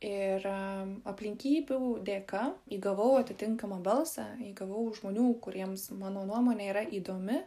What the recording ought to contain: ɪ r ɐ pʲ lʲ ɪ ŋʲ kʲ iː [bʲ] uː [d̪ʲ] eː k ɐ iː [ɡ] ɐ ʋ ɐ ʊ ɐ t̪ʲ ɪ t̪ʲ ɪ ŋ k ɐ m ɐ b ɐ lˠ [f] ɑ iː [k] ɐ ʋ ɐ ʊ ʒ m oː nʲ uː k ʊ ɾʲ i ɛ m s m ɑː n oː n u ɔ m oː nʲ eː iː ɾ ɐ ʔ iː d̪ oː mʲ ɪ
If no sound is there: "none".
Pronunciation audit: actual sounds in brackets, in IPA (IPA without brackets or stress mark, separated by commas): bʲ, d̪ʲ, ɡ, s, ɡ